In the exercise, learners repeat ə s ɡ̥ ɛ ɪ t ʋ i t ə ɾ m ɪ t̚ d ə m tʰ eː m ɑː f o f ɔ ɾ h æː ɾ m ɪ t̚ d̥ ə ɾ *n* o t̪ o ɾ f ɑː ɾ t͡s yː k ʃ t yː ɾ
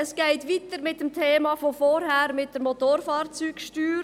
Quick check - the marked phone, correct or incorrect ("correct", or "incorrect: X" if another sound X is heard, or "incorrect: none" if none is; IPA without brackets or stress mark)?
incorrect: m